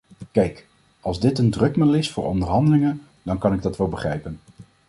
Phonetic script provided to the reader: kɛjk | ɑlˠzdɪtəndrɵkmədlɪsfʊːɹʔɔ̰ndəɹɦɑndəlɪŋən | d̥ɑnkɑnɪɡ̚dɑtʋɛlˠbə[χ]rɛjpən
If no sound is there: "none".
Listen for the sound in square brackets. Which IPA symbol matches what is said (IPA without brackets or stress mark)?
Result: χ